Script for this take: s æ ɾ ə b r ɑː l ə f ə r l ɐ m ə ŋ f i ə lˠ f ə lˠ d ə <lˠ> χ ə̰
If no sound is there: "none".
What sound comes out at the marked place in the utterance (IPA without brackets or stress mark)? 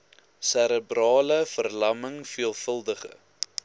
none